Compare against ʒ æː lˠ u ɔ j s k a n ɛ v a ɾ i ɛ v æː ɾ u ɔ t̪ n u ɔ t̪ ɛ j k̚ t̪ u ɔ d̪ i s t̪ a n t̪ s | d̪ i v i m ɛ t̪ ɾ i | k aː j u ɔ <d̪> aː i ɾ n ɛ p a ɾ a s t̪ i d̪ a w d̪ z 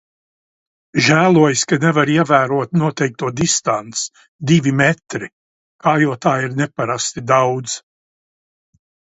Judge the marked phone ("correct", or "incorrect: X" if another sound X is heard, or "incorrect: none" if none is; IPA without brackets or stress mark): incorrect: t̪